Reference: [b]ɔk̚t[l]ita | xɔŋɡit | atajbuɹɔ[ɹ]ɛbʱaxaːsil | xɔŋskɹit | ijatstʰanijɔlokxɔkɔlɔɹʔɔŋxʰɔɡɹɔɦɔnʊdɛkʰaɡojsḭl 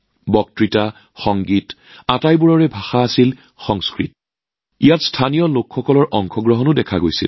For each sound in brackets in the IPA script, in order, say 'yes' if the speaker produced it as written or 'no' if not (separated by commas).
yes, no, yes